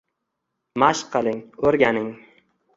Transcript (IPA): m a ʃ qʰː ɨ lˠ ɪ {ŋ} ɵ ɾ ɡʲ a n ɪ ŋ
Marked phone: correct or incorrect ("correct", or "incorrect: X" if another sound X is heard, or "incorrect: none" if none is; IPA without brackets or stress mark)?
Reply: correct